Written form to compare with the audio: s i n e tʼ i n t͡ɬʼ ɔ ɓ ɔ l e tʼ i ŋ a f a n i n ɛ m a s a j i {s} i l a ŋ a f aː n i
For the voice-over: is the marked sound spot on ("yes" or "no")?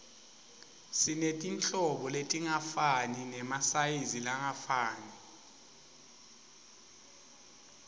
no